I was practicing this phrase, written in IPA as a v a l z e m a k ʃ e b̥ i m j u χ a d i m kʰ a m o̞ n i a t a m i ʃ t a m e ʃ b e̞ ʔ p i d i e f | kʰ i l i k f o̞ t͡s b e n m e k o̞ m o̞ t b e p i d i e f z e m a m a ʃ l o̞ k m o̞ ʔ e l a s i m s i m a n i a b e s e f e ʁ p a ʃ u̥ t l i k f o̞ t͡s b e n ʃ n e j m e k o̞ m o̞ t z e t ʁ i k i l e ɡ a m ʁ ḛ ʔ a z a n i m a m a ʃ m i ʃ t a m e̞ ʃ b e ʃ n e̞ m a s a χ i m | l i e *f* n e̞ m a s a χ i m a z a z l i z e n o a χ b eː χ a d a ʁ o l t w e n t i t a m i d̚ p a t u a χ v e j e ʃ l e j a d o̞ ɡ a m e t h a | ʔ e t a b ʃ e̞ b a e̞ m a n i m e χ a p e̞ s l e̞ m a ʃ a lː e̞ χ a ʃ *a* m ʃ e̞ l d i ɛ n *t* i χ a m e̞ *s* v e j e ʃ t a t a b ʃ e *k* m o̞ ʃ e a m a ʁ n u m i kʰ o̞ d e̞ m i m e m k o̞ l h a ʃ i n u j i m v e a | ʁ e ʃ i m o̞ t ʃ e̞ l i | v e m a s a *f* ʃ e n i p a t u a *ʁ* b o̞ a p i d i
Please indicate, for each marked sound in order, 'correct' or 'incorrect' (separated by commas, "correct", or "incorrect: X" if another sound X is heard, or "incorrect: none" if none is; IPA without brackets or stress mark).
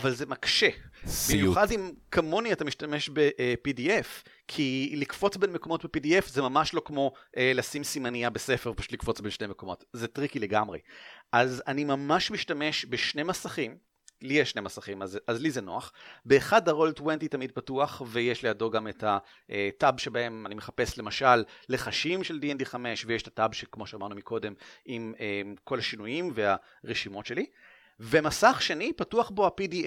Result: incorrect: ʃ, incorrect: i, incorrect: d, incorrect: ʃ, correct, incorrect: χ, incorrect: χ